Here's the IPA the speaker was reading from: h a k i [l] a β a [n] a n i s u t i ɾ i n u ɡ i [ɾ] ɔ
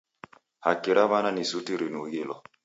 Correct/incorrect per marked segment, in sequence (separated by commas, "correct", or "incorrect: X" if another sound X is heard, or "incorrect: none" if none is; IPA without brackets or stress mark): incorrect: ɾ, correct, incorrect: l